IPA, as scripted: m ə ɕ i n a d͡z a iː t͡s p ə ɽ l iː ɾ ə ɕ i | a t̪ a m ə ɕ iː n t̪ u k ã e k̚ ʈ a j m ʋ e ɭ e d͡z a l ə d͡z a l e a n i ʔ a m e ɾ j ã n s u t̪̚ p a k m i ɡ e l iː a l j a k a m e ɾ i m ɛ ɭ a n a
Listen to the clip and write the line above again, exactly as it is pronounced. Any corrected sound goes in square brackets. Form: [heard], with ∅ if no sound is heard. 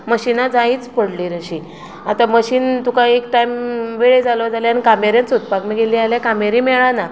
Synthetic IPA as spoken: m ə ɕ i n a d͡z a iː t͡s p ə ɽ l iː ɾ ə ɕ i | a t̪ a m ə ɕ iː n t̪ u k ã e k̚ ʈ a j m ʋ e ɭ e d͡z a l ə d͡z a l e a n i [k] a m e ɾ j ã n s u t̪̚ p a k m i ɡ e l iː a l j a k a m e ɾ i m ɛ ɭ a n a